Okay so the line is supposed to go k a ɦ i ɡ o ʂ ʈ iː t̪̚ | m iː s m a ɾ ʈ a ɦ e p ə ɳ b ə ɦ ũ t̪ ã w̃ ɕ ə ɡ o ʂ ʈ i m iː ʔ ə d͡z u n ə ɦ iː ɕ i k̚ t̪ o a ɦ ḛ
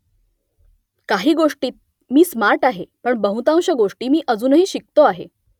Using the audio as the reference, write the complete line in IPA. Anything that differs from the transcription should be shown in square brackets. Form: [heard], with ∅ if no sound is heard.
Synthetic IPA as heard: k a ɦ [iː] ɡ o ʂ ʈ iː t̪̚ | m iː s m a ɾ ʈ a ɦ e p ə ɳ b ə ɦ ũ t̪ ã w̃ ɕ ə ɡ o ʂ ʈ [iː] m iː ʔ ə d͡z [uː] n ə ɦ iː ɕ i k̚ t̪ o a ɦ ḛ